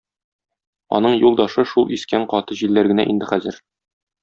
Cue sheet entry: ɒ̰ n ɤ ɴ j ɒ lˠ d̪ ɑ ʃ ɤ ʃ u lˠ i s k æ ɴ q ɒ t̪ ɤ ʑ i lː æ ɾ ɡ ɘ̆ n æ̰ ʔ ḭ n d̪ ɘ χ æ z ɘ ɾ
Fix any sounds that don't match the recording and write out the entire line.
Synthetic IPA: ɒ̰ n ɤ ɴ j u lˠ d̪ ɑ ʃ ɤ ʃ u lˠ i s k æ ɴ q ɒ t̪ ɤ ʑ i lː æ ɾ ɡ ɘ̆ n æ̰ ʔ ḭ n d̪ ɘ χ æ z ɘ ɾ